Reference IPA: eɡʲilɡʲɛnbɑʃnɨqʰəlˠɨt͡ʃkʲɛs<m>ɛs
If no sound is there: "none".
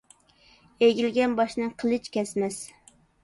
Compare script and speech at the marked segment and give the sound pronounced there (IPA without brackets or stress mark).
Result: m